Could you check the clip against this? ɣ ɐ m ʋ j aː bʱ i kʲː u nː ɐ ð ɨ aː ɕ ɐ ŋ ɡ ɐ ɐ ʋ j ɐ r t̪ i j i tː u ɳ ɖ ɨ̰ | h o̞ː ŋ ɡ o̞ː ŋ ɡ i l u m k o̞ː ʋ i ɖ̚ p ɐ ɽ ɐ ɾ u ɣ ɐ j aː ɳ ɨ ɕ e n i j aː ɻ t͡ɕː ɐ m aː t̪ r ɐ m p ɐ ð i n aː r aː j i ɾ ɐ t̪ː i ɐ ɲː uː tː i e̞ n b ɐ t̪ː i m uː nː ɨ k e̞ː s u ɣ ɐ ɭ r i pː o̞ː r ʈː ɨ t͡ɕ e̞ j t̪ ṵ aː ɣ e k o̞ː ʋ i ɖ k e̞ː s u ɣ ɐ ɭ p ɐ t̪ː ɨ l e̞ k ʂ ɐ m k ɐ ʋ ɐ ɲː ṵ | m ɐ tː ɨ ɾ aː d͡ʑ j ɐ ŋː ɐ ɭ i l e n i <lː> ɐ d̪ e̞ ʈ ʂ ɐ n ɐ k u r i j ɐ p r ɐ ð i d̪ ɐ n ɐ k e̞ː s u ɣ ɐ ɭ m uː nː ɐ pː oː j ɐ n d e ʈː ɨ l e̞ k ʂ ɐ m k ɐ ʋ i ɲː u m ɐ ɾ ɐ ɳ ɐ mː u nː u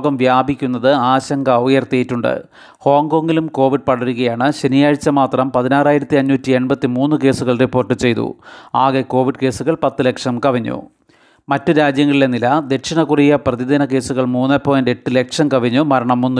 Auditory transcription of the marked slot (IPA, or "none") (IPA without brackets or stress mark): l